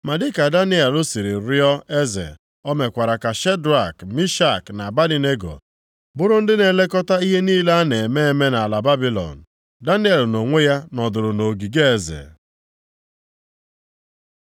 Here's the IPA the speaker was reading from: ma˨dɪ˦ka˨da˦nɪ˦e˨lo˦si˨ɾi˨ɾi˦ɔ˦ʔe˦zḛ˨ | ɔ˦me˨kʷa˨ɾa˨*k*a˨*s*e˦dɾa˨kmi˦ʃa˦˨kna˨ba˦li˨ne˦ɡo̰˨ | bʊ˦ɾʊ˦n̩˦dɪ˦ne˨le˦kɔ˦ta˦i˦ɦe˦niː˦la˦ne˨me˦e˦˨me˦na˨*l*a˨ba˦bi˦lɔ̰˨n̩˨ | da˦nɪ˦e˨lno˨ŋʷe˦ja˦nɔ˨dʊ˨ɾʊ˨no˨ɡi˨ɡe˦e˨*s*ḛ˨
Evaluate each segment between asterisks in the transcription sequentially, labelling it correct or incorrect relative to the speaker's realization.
correct, incorrect: ʃ, correct, incorrect: z

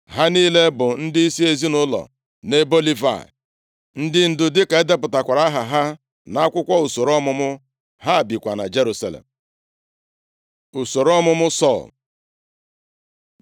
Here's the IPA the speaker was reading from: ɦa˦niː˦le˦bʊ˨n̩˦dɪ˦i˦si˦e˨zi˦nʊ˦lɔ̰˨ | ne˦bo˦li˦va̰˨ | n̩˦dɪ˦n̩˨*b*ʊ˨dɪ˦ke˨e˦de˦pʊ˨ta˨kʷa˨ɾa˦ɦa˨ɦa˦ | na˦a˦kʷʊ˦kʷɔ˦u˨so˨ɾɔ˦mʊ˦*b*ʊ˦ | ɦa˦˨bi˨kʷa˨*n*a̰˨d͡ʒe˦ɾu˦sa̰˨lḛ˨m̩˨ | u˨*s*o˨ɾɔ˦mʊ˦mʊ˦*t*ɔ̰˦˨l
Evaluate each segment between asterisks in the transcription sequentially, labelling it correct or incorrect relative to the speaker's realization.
incorrect: d, incorrect: m, correct, correct, incorrect: s

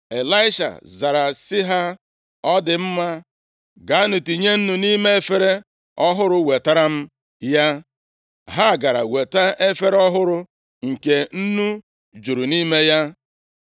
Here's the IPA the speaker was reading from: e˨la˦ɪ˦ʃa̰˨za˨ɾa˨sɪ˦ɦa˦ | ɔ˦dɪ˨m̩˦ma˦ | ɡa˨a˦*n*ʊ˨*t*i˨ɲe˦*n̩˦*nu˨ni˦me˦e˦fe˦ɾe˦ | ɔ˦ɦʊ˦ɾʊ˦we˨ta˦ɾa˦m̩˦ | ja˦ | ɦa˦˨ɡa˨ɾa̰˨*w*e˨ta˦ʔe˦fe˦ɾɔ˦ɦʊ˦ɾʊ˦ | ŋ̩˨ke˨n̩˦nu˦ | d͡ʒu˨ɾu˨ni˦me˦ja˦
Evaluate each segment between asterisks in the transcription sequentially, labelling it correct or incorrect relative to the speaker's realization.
correct, correct, correct, correct

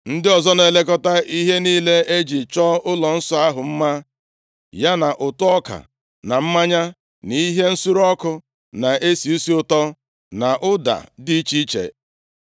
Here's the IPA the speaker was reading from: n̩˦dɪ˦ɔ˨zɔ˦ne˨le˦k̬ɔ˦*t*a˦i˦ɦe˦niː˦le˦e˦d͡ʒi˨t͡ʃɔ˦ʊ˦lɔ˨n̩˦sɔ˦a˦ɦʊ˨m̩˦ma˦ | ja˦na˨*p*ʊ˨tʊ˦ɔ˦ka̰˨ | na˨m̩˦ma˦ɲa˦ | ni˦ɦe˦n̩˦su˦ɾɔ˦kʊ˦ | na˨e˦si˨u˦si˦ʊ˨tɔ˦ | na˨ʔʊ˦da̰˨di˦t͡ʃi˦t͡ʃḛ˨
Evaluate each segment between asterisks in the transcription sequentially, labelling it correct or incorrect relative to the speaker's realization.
correct, incorrect: ʔ

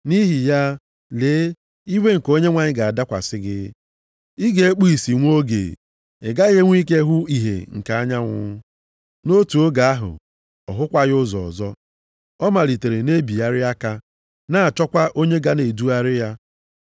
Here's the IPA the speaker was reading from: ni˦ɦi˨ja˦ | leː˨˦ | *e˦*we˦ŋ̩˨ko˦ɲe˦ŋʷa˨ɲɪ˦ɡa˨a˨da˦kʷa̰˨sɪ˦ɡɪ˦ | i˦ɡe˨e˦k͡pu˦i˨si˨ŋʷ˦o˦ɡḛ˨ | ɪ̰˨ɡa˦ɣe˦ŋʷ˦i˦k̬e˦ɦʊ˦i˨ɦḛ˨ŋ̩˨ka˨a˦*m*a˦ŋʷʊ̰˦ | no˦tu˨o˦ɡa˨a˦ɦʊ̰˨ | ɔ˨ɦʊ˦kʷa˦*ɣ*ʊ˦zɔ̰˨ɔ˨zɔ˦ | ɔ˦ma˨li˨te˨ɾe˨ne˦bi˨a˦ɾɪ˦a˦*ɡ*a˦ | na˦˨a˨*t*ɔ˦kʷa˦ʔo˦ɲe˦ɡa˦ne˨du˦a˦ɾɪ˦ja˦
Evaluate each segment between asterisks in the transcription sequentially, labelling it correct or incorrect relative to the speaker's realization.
incorrect: i˦, incorrect: ɲ, correct, incorrect: k, incorrect: t͡ʃ

